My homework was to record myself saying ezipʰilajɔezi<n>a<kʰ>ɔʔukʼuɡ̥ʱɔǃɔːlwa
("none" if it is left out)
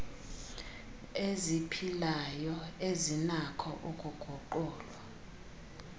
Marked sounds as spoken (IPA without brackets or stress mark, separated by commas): n, kʰ